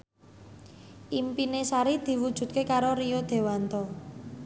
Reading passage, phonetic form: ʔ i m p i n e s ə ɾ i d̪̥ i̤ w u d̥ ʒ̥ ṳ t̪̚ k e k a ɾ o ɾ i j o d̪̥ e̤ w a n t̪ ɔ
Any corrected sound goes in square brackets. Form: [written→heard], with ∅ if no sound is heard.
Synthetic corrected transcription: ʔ i m p i n e s [ə→a] ɾ i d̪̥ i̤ w u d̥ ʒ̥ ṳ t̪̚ k e k a ɾ o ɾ i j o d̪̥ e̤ w a n t̪ ɔ